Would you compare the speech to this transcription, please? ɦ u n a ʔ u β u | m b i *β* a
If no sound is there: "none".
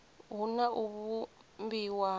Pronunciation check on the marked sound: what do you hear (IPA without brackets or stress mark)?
w